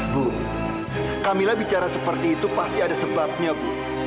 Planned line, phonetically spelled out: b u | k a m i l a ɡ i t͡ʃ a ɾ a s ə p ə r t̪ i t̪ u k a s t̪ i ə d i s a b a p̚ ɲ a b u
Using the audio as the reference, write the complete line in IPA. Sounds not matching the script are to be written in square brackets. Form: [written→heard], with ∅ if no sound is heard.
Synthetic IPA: b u | k a m i l a [ɡ→b] i t͡ʃ a ɾ a s ə p ə r t̪ [i→iː] t̪ u [k→p] a s t̪ i [ə→a] d [i→a] s [a→ə] b a p̚ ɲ a b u